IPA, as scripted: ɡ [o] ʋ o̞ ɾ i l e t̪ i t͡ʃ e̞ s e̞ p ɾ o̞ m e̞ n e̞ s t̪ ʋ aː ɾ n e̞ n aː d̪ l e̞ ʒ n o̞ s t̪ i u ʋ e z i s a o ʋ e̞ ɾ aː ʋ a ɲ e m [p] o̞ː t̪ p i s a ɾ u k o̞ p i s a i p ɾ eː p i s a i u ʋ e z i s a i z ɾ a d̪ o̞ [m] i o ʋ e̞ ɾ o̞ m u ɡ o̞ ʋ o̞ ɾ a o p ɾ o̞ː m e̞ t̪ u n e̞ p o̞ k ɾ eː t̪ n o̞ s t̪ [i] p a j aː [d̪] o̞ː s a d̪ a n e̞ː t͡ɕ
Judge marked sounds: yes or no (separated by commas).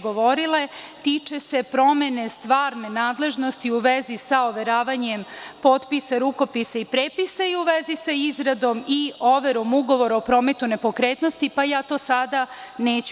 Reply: yes, yes, yes, yes, no